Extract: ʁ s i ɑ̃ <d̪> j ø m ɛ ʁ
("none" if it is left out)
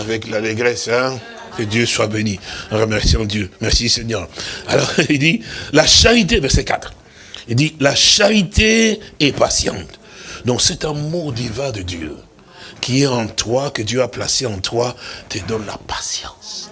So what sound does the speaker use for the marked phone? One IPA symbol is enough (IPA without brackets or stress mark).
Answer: d̪